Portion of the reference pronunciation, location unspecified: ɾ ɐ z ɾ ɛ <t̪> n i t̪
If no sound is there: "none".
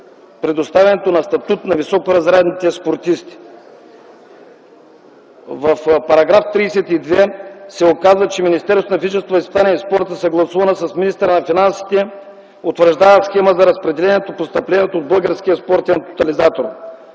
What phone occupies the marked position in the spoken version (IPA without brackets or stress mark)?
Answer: d̪